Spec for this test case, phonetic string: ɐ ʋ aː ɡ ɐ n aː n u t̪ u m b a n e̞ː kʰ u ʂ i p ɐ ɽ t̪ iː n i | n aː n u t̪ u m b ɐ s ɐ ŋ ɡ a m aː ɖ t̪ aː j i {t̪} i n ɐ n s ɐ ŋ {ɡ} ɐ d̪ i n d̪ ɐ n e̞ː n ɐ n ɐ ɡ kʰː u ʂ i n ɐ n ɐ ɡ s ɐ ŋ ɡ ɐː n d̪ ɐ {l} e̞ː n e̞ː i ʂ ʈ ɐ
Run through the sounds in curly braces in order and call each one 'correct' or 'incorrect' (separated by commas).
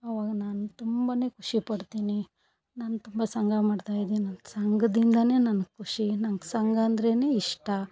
incorrect, correct, incorrect